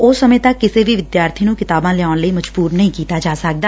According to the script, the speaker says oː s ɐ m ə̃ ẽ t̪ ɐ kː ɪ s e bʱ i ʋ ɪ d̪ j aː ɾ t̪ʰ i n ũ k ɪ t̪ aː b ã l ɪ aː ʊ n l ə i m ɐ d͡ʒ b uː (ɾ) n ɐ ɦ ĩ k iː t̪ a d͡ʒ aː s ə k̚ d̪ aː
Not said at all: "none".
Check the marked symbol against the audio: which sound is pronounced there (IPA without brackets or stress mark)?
ɾ